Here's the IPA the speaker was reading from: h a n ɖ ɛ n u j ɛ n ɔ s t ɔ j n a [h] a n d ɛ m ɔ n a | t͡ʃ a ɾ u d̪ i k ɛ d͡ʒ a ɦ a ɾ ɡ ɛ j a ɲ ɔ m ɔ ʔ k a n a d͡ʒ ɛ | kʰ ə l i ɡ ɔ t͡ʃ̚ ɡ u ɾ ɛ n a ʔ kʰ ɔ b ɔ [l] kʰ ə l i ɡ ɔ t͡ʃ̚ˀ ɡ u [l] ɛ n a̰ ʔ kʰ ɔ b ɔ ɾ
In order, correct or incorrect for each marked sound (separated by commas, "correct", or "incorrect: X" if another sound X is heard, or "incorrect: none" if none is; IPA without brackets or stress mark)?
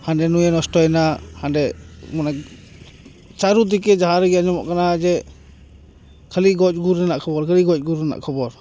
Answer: correct, incorrect: ɾ, incorrect: ɾ